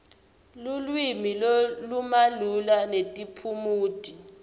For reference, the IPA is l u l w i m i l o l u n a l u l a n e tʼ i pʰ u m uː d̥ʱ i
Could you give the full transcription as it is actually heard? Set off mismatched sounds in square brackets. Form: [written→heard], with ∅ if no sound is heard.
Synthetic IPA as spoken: l u l w i m i l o l u [n→m] a l u l a n e tʼ i pʰ u m uː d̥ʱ i